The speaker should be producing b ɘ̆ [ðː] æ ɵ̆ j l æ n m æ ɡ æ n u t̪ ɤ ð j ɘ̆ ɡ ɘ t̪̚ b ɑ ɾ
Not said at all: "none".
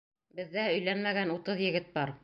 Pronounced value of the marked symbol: ðː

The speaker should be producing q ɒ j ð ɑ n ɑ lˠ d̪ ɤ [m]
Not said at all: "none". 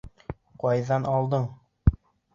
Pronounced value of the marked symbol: ɴ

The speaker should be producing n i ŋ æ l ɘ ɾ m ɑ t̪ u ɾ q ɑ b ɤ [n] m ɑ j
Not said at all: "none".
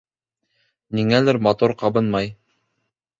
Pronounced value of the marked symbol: n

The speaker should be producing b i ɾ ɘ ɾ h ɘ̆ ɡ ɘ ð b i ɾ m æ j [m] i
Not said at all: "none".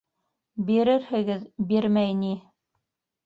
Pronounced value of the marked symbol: n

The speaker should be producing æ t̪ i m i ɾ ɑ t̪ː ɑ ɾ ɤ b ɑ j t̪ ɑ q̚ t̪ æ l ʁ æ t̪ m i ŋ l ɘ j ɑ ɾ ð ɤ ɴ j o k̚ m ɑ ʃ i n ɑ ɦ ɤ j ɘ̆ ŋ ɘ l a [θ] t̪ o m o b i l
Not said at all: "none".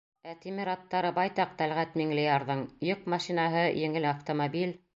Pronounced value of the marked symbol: f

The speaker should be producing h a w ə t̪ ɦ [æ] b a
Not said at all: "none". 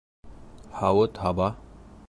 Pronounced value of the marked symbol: a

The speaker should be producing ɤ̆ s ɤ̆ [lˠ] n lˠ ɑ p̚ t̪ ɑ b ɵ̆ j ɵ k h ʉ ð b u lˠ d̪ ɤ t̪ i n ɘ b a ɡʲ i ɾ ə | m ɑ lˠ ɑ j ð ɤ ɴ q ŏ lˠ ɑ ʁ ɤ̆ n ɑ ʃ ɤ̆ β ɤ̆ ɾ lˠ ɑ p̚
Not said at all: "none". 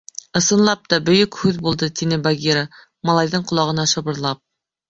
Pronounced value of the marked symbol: none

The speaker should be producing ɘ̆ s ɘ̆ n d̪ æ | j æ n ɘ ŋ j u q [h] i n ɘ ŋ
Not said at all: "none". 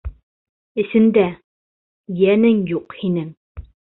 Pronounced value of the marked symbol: h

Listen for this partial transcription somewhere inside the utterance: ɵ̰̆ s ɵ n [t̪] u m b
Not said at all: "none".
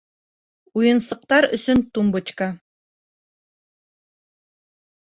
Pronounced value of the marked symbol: t̪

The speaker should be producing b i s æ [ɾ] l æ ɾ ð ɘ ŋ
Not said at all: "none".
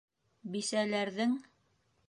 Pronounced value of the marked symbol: none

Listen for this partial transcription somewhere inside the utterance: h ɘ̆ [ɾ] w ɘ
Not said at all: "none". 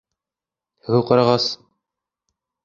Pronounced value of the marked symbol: none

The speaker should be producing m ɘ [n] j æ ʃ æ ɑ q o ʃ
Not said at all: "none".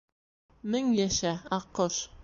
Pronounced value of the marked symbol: ŋ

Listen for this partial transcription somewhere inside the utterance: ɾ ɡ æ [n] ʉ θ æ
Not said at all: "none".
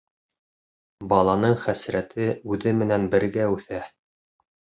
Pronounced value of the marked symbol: none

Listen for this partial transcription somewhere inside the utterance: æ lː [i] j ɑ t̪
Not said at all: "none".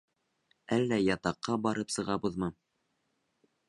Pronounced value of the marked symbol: æ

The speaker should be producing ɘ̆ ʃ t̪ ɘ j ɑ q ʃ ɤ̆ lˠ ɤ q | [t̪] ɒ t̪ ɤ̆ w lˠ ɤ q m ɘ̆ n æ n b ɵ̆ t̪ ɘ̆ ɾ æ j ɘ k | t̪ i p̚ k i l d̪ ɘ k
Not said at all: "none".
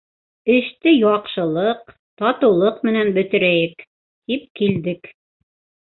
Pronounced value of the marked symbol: t̪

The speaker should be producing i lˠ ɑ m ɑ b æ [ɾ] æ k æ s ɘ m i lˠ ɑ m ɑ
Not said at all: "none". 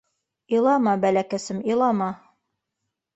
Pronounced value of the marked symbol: l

